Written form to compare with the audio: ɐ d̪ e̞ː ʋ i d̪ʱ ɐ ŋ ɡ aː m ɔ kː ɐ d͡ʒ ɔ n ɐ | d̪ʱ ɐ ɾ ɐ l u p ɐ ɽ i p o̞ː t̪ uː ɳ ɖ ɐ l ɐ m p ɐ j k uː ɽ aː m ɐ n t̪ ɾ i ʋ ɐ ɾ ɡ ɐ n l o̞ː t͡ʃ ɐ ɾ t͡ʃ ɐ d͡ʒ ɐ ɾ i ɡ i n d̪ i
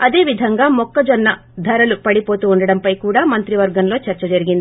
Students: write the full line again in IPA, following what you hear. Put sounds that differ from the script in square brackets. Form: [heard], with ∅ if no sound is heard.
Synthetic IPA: ɐ d̪ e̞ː ʋ i d̪ʱ ɐ ŋ ɡ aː m ɔ kː ɐ d͡ʒ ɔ [nː] ɐ | d̪ʱ ɐ ɾ ɐ l u p ɐ ɽ i p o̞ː t̪ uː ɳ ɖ ɐ [ɽ] ɐ m p ɐ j k uː ɽ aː m ɐ n t̪ ɾ i ʋ ɐ ɾ ɡ ɐ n l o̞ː t͡ʃ ɐ ɾ t͡ʃ ɐ d͡ʒ ɐ ɾ i ɡ i n d̪ i